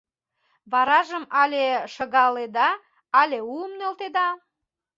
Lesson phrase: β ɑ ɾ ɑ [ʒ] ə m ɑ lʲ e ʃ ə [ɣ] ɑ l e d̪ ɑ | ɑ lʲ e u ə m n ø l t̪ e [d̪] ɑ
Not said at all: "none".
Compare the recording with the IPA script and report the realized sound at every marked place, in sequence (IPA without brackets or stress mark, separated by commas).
ʒ, ɣ, d̪